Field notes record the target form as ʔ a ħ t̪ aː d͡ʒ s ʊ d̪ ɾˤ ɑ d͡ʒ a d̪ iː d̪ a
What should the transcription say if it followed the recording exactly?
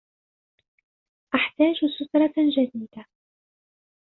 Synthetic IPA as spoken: ʔ a ħ t̪ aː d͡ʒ s ʊ t̪ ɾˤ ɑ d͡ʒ a d̪ iː d̪ a